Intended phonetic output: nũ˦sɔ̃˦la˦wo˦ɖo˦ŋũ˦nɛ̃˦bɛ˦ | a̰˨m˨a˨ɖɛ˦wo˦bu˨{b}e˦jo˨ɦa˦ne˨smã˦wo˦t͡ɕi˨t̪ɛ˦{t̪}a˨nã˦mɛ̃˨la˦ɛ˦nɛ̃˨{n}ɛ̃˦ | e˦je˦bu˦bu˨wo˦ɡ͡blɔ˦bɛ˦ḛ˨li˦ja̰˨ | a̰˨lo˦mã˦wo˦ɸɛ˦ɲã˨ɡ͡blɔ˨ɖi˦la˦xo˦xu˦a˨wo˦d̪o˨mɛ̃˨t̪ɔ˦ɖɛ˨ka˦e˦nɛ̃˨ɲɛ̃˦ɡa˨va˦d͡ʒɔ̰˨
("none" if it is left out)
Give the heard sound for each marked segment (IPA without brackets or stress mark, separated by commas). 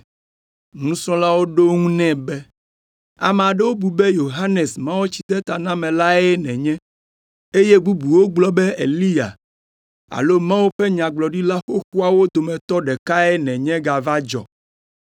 b, t̪, ɲ